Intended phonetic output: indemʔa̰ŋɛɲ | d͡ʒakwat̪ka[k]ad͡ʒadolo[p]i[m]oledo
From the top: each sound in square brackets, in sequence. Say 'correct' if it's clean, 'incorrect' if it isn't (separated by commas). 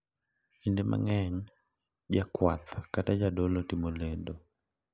incorrect, incorrect, correct